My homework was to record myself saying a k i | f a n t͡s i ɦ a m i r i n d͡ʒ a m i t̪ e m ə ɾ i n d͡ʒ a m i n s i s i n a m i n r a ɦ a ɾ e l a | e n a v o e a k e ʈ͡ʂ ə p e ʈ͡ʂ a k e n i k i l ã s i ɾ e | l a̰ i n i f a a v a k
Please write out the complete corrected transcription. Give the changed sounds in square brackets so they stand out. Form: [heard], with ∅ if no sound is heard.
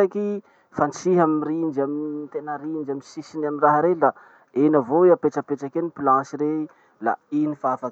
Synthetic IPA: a k i | f a n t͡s i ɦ a m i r i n d͡ʒ a m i t̪ e [n] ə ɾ i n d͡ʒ a m i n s i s i n a m i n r a ɦ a ɾ e l a | e n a v o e a [p] e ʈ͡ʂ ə p e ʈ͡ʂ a k e n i [p] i l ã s i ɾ e | l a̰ i n i f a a [f] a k